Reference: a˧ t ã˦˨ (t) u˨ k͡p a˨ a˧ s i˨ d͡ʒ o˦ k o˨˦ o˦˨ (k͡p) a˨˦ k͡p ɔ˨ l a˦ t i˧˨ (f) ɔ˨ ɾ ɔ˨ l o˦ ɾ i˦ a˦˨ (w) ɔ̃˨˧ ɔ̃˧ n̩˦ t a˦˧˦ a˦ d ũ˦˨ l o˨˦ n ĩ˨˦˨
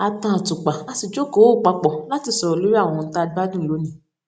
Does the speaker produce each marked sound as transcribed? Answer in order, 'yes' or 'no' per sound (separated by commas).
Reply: yes, yes, no, yes